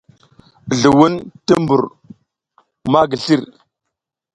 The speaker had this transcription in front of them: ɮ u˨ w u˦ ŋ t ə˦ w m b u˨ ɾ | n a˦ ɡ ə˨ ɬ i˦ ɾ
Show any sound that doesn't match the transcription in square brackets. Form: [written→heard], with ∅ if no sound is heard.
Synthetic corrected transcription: ɮ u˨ w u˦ [ŋ→n] t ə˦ [w→∅] m b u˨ ɾ | [n→m] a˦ ɡ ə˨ ɬ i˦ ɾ